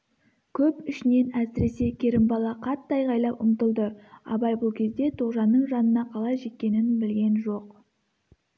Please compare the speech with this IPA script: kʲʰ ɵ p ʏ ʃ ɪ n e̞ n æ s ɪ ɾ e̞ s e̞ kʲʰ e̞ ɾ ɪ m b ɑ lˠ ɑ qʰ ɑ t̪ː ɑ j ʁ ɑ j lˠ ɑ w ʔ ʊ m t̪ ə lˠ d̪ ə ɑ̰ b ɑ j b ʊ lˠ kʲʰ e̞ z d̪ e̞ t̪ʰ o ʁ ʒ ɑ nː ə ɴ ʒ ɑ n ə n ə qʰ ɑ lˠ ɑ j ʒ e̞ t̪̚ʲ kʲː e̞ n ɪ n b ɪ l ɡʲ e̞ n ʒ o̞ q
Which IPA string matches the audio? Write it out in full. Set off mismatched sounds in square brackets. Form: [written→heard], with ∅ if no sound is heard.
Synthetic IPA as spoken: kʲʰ ɵ p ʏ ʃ ɪ n e̞ n æ s ɪ ɾ e̞ s e̞ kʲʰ e̞ ɾ ɪ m b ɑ lˠ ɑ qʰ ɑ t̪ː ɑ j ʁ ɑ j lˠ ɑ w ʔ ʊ m t̪ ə lˠ d̪ ə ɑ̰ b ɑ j b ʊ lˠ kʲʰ e̞ z d̪ e̞ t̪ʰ o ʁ ʒ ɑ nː ə ɴ ʒ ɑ n ə n [ə→ɑ] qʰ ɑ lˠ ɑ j ʒ e̞ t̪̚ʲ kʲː e̞ n ɪ n b ɪ l ɡʲ e̞ n ʒ o̞ q